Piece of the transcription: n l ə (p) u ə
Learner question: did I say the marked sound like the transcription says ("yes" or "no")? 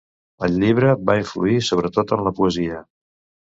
yes